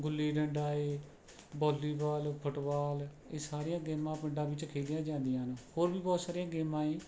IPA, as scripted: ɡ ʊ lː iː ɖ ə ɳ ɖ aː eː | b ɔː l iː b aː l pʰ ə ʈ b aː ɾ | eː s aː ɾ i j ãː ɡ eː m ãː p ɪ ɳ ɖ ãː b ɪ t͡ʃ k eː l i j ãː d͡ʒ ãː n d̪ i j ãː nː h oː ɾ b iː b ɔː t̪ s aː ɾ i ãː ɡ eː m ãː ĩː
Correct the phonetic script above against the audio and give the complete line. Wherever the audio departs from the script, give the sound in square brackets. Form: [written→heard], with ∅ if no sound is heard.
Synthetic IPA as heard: ɡ ʊ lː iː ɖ ə ɳ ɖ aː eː | b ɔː l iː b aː l pʰ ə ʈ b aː [ɾ→l] | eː s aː ɾ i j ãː ɡ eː m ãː p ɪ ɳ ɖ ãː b ɪ t͡ʃ [k→kʰ] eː l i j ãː d͡ʒ ãː n d̪ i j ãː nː h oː ɾ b iː b ɔː t̪ s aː ɾ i ãː ɡ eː m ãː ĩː